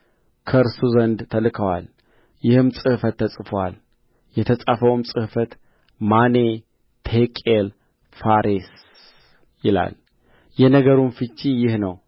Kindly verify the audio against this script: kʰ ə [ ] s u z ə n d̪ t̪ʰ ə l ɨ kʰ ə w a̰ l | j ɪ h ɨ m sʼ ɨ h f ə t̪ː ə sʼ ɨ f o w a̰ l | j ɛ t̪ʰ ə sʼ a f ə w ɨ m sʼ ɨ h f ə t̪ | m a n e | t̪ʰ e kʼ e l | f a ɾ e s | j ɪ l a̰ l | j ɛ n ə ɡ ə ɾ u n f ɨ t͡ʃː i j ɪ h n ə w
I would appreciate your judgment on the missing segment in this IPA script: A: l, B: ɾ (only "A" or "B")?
B